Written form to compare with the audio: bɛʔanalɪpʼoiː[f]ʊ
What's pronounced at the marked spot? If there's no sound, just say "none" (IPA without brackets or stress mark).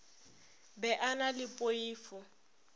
f